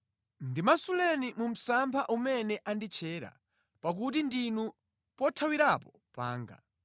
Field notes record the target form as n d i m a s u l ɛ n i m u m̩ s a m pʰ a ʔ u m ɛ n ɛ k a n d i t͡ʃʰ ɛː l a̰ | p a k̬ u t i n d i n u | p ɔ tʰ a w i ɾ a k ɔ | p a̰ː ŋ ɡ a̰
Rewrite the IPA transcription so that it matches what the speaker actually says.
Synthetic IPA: n d i m a s u l ɛ n i m u m̩ s a m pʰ a ʔ u m ɛ n ɛ ʔ a n d i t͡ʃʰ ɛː ɾ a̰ | p a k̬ u t i n d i n u | p ɔ tʰ a w i ɾ a p ɔ | p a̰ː ŋ ɡ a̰